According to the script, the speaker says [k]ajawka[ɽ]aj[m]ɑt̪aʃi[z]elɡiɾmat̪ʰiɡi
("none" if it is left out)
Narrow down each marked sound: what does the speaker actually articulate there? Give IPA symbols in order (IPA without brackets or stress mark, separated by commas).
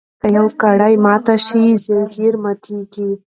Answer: k, ɽ, m, z